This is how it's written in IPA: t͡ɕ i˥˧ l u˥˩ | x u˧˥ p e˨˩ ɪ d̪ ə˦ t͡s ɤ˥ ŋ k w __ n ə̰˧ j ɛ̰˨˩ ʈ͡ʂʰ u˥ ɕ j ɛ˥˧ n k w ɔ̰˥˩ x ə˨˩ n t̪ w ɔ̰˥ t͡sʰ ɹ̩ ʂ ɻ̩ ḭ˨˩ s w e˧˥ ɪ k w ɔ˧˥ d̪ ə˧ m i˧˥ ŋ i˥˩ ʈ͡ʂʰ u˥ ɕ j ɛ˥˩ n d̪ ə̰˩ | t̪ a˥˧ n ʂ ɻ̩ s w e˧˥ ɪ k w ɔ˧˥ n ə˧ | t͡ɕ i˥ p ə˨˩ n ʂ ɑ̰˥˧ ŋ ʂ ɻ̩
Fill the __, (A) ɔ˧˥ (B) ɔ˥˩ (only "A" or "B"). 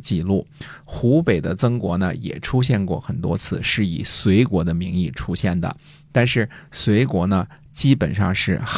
A